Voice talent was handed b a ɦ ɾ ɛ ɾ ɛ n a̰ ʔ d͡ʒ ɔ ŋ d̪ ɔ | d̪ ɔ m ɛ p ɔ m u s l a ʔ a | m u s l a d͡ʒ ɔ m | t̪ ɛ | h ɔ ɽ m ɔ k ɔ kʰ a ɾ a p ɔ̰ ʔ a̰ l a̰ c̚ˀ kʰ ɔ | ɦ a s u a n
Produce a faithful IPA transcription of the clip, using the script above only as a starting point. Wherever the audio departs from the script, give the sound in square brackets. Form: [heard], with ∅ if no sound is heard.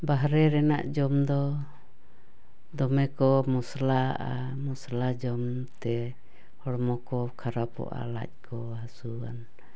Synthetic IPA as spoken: b a ɦ ɾ ɛ ɾ ɛ n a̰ ʔ d͡ʒ ɔ [m] d̪ ɔ | d̪ ɔ m ɛ [k] ɔ m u s l a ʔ a | m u s l a d͡ʒ ɔ m | t̪ ɛ | h ɔ ɽ m ɔ k ɔ kʰ a ɾ a p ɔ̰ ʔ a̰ l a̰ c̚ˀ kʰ ɔ | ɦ a s u a n

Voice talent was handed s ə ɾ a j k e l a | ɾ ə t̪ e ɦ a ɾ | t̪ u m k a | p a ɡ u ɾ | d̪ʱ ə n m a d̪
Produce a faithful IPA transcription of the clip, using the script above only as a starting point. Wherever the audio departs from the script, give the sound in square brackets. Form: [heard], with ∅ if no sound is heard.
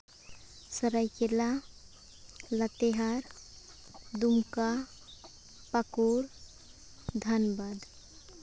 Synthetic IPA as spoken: s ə ɾ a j k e l a | [l] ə t̪ e ɦ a ɾ | [d̪] u m k a | p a [k] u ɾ | d̪ʱ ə n [b] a d̪

